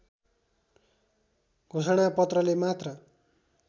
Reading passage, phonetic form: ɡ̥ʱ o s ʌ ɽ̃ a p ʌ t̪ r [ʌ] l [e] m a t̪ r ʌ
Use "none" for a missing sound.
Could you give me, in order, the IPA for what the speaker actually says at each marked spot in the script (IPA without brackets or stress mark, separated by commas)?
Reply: ʌ, e